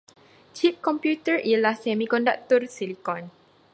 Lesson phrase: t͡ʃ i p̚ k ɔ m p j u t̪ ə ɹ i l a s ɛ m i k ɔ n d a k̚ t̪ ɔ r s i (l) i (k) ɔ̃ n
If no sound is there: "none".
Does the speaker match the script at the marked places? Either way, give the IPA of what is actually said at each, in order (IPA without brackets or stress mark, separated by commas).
l, k